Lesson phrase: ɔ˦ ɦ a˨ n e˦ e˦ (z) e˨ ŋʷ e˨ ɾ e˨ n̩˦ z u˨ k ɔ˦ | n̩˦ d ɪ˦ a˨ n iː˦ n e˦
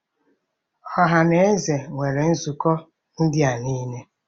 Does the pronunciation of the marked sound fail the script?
no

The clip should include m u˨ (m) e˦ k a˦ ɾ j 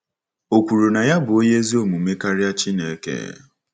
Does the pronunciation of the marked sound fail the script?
no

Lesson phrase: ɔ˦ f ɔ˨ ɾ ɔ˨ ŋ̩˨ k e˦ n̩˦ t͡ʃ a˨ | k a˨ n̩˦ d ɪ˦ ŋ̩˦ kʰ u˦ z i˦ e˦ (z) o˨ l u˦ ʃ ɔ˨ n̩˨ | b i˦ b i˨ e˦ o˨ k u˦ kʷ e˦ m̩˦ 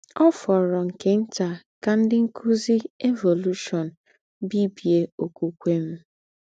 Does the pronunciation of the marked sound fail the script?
yes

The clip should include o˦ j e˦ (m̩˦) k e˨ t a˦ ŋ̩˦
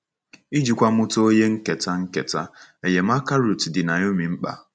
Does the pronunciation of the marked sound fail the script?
yes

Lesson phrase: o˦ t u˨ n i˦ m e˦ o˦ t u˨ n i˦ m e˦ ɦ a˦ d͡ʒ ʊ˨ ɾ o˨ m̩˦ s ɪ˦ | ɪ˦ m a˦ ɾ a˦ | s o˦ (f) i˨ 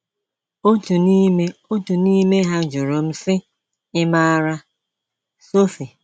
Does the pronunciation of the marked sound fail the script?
no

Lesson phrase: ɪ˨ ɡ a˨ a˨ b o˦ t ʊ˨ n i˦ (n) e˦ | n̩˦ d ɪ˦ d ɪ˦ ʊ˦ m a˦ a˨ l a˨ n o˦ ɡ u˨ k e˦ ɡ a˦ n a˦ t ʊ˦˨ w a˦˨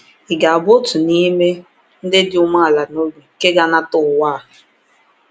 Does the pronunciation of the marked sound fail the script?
yes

